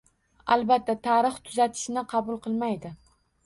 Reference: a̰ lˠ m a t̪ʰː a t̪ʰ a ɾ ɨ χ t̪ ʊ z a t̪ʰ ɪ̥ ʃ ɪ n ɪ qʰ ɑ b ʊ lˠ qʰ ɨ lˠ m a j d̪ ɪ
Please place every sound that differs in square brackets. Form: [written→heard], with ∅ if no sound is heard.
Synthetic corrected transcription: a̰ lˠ [m→b] a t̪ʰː a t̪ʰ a ɾ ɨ χ [t̪→t̪ʰ] ʊ z a t̪ʰ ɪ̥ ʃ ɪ n ɪ qʰ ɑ b ʊ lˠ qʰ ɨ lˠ m a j d̪ ɪ